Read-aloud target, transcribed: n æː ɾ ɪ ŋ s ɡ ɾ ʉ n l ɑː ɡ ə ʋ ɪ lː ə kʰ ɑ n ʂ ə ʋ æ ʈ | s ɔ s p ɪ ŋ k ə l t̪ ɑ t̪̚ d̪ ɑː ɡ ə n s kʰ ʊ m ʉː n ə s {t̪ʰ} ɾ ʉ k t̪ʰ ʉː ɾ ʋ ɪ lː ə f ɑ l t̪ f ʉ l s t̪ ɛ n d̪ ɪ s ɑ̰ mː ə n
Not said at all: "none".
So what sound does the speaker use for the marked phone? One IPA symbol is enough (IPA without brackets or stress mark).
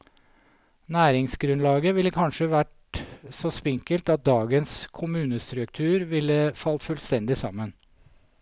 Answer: t̪